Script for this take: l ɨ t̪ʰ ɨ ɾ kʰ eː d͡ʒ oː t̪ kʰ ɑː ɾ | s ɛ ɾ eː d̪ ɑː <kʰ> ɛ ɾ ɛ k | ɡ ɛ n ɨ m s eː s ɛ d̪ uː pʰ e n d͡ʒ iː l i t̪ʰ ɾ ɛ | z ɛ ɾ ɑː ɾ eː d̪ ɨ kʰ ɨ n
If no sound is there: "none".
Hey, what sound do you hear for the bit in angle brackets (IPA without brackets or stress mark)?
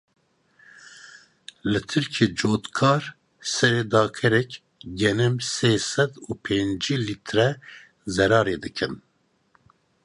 kʰ